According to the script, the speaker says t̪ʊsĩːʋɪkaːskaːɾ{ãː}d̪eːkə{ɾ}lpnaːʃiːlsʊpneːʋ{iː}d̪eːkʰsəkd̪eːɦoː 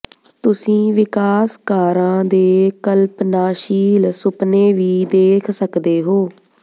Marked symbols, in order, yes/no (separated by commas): yes, no, yes